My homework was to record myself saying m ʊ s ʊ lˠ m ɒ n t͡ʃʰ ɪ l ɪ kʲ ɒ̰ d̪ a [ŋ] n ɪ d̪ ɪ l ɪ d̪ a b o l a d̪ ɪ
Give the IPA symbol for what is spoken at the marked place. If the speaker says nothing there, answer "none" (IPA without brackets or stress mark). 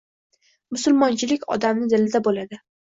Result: m